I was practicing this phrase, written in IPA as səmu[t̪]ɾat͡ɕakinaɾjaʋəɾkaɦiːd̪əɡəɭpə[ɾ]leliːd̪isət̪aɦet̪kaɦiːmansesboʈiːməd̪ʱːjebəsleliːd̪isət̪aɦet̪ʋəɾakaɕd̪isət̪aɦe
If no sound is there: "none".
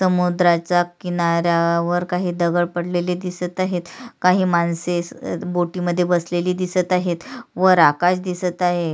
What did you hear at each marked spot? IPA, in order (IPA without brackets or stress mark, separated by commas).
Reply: d̪, ɽ